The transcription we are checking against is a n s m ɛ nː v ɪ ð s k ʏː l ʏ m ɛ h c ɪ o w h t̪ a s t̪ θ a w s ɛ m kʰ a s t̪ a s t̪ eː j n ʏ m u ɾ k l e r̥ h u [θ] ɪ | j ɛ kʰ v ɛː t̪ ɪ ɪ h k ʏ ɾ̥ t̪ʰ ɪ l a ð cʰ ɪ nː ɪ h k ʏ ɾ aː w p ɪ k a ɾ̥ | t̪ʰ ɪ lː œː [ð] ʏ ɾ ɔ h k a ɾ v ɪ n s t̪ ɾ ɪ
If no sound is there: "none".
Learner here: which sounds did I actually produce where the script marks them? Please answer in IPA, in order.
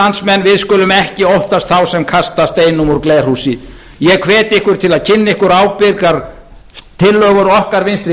s, ɣ

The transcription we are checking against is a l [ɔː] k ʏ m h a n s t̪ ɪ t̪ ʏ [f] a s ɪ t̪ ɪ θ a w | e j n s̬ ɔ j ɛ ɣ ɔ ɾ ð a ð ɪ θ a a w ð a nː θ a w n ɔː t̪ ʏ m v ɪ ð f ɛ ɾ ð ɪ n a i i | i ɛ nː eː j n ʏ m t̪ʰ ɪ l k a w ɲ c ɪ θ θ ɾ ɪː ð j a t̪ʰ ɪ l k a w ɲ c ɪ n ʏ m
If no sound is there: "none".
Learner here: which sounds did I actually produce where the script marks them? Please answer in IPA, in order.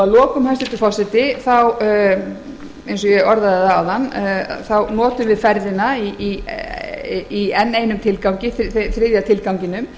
ɔː, f

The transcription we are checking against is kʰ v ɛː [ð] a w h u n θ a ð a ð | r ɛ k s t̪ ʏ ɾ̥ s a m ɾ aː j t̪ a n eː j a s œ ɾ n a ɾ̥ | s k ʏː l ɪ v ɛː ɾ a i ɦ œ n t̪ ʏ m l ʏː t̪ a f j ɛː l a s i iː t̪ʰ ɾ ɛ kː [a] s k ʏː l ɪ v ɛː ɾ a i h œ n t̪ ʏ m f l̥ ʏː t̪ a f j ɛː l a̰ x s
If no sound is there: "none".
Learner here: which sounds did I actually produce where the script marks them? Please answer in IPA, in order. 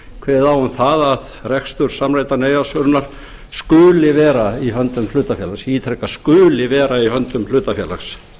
ð, a

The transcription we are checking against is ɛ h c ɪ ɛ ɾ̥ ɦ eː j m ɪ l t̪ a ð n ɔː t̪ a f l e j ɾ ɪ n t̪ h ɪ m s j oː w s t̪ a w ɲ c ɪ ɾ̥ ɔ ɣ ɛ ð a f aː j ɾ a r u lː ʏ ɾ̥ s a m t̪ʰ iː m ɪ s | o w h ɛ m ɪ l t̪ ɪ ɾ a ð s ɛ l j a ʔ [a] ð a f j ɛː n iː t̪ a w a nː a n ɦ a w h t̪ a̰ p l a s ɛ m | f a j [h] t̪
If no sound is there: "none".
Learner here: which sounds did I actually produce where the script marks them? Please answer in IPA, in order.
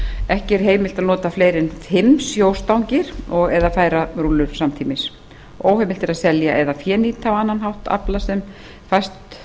ɛ, s

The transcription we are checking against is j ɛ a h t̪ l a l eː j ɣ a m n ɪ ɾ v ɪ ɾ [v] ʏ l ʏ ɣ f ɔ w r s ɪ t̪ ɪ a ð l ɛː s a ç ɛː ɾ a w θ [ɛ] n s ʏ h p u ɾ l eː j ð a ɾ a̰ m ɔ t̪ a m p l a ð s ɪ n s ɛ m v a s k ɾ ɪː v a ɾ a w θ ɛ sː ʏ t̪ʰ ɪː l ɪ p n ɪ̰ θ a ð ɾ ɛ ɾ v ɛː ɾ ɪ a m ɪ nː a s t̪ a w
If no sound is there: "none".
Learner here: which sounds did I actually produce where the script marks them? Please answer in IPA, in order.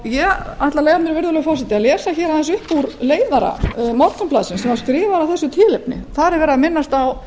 ð, ɛ

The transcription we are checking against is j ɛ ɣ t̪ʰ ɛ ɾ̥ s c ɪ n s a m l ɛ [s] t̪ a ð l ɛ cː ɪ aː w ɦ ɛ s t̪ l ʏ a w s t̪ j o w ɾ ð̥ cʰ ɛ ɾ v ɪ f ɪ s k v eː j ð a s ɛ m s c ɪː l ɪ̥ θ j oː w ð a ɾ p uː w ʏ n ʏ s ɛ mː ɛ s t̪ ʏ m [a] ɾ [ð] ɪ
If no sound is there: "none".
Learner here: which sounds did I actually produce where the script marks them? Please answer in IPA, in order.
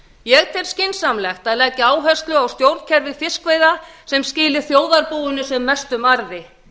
x, a, ð

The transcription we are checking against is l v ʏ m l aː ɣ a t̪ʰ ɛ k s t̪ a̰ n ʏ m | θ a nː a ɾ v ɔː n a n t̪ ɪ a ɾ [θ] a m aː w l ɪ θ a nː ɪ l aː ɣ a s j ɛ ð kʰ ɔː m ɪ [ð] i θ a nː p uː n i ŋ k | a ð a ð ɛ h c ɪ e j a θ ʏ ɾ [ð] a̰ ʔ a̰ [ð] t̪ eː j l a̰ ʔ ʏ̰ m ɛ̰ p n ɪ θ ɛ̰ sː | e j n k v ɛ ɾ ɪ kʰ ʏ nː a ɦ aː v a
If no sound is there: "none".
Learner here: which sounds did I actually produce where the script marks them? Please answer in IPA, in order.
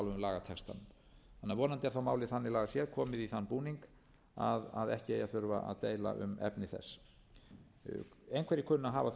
θ, ð, v, ð

